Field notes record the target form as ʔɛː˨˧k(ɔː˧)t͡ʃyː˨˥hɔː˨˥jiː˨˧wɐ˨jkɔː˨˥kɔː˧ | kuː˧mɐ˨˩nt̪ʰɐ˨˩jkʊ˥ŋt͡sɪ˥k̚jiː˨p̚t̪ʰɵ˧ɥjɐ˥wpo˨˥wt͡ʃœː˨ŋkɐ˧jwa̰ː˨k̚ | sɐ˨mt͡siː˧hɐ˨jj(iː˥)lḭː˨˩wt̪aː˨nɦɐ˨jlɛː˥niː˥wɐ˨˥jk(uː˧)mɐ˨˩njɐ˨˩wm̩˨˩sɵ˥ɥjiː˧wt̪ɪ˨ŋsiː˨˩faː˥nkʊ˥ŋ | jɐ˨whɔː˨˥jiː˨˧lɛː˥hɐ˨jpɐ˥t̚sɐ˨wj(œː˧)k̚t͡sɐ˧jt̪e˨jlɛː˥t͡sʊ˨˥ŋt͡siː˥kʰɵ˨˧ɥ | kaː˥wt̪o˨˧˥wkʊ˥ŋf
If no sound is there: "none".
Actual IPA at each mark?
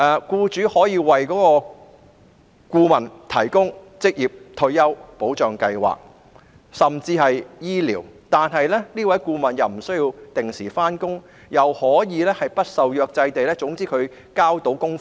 uː˧, iː˥, uː˧, œː˧

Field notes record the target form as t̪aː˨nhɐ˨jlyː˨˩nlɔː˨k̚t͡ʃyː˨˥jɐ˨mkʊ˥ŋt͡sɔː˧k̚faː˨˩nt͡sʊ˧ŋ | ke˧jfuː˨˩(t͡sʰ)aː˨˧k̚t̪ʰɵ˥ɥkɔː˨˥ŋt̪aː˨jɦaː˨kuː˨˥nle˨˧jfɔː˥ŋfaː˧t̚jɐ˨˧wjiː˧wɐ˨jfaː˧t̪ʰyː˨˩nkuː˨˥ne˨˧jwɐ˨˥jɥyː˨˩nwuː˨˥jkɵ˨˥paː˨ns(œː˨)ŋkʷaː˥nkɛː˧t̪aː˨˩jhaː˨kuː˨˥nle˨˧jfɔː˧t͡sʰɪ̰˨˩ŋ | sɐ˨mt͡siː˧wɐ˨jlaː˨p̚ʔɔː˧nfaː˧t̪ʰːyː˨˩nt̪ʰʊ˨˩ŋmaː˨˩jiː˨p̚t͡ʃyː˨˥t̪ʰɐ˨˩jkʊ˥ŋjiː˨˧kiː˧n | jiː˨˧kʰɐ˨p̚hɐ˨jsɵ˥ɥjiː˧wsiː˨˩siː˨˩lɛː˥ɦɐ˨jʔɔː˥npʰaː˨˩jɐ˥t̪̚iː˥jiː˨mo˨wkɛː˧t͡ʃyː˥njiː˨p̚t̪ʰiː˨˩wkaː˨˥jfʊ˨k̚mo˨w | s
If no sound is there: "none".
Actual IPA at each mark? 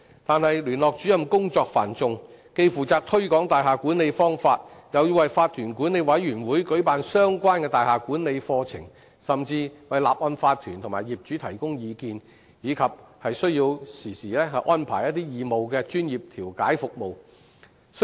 t͡s, œː˥

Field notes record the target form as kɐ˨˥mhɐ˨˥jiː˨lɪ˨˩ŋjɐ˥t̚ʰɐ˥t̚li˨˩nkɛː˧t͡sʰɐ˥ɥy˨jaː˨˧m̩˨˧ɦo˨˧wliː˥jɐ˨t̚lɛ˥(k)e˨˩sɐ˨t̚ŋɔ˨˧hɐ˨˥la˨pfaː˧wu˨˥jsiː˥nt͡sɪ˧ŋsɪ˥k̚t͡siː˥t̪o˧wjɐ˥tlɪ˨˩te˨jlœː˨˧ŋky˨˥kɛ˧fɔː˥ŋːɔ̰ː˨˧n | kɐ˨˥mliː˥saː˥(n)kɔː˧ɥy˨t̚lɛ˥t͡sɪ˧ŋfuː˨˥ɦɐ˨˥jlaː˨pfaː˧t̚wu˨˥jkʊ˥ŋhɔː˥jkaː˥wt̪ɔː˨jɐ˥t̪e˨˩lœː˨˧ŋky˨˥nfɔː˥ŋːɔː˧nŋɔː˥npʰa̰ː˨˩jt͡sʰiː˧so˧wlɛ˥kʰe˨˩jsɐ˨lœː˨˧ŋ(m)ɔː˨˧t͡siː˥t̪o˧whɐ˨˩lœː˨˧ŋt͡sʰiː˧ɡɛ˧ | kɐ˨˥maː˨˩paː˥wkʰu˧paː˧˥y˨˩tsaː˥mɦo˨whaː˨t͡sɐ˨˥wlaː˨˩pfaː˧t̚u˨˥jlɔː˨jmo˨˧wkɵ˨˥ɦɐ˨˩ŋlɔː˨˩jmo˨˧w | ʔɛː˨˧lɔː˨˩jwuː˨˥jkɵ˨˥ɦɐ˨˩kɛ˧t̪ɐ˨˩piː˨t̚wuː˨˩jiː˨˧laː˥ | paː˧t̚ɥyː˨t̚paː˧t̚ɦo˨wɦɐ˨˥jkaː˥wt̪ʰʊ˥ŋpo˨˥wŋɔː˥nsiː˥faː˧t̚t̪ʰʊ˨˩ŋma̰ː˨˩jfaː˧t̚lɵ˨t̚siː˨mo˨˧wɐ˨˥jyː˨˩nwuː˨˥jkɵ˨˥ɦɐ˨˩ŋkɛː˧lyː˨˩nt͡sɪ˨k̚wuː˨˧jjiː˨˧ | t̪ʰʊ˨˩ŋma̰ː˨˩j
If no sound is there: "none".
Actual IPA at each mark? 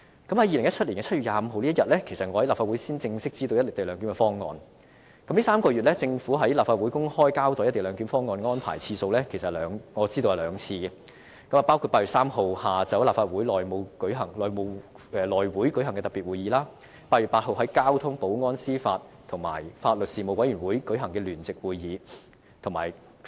kʰ, m, ŋ

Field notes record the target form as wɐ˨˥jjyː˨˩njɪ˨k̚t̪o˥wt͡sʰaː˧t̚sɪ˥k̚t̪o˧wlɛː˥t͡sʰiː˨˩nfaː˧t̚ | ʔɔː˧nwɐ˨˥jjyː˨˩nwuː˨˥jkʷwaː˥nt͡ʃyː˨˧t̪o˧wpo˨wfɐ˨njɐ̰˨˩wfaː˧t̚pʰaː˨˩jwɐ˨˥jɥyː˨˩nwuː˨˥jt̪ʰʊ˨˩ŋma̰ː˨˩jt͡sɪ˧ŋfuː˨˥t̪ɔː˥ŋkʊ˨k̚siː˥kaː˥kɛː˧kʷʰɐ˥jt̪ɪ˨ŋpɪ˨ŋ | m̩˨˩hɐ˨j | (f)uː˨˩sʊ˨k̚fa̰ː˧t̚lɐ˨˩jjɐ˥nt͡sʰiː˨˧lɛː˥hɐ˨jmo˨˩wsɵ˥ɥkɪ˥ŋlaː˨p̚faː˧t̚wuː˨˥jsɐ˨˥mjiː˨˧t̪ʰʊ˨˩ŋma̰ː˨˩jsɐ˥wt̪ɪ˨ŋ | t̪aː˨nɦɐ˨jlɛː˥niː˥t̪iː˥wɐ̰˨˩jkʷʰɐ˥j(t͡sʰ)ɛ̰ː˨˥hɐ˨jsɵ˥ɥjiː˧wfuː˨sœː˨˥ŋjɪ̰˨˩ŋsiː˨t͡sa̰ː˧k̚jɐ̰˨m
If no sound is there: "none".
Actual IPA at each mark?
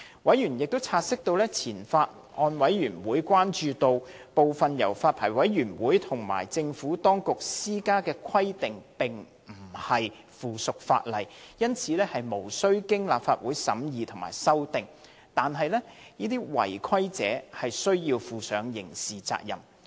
f, t͡s

